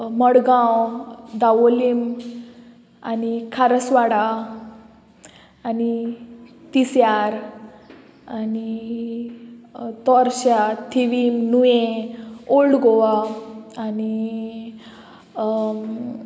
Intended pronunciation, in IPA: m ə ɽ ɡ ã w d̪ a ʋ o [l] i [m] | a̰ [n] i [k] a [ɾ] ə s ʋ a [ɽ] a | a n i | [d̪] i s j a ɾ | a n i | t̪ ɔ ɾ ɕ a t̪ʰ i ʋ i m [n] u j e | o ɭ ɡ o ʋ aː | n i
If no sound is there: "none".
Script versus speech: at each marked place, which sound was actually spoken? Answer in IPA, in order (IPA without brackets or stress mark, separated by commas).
l, m, n, kʰ, ɾ, ɽ, t̪, n